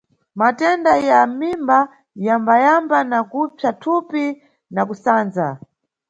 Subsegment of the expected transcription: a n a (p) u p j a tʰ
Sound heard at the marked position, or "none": k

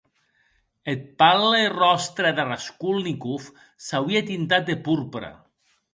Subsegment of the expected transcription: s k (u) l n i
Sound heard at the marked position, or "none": u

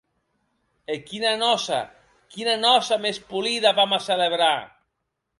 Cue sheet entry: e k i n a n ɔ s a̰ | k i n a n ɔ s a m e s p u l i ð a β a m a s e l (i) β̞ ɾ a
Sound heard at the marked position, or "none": e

